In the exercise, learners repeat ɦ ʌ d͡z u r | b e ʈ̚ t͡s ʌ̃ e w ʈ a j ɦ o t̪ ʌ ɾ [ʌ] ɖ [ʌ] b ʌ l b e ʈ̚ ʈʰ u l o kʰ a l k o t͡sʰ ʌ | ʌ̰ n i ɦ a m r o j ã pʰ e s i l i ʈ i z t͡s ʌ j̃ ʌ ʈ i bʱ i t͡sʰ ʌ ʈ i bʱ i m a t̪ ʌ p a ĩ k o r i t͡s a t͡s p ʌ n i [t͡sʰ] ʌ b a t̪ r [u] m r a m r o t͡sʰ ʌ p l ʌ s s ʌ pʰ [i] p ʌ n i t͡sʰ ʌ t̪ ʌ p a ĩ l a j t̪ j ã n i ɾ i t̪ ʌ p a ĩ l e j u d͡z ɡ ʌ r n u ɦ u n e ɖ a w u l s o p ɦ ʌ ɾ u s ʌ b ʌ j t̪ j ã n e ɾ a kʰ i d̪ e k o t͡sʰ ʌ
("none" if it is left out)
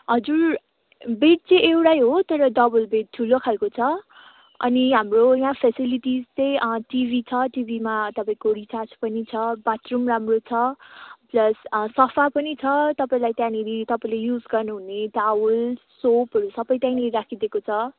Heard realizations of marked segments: ʌ, ʌ, t͡sʰ, u, a

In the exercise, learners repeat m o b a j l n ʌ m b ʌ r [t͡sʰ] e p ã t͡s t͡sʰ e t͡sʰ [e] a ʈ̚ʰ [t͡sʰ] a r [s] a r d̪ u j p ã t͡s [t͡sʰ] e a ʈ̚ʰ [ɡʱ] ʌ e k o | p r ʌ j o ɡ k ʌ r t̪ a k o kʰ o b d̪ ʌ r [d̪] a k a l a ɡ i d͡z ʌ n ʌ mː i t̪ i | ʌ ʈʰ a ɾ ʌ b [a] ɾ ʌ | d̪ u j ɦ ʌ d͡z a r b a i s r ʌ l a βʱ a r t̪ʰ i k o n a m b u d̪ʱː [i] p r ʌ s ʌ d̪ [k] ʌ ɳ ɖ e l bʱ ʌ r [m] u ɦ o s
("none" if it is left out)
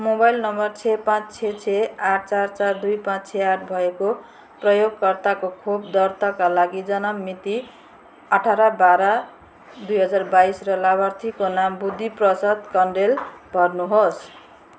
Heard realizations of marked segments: t͡sʰ, e, t͡s, t͡s, t͡sʰ, bʱ, t̪, a, i, k, n

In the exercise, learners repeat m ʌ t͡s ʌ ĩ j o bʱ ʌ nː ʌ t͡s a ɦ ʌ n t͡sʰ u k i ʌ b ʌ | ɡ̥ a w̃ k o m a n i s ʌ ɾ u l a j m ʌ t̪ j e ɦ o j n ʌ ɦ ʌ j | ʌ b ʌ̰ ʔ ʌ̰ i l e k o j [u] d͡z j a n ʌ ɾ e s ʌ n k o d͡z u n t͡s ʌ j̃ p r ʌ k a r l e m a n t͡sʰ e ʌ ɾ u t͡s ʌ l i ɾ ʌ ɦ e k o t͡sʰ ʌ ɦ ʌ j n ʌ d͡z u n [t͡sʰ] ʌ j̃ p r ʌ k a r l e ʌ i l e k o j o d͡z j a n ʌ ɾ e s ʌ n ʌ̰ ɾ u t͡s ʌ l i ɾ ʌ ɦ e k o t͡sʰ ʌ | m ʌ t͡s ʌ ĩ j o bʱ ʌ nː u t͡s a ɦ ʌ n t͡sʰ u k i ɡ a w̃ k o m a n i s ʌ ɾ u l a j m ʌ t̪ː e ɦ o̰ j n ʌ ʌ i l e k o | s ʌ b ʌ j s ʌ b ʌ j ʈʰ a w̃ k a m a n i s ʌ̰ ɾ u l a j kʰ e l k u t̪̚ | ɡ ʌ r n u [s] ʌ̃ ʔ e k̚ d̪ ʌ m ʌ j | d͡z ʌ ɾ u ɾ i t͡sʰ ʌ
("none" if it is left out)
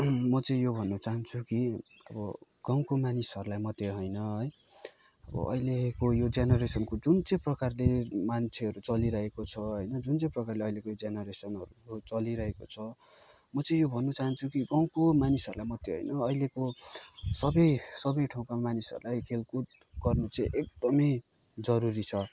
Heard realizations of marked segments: o, t͡s, t͡s

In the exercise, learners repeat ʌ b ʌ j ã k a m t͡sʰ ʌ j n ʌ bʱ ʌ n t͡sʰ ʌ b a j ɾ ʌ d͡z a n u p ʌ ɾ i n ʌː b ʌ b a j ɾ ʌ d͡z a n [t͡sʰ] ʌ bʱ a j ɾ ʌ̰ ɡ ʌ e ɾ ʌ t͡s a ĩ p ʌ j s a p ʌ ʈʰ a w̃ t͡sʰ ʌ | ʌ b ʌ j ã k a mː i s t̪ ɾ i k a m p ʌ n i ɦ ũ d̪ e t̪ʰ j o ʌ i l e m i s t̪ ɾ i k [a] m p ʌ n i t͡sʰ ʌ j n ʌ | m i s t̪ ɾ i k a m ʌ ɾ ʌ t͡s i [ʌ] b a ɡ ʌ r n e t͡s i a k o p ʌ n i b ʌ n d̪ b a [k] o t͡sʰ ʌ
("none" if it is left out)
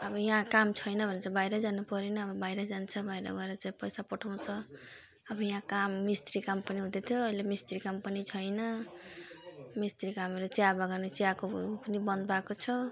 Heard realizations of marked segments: t͡sʰ, a, a, k

